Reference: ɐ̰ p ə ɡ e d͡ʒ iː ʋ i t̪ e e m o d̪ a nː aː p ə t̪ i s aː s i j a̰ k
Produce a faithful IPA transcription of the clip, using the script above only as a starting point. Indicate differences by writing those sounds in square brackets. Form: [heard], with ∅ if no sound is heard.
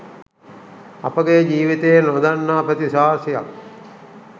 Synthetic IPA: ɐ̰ p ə ɡ e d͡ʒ iː ʋ i t̪ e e [n] o d̪ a nː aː p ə t̪ i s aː s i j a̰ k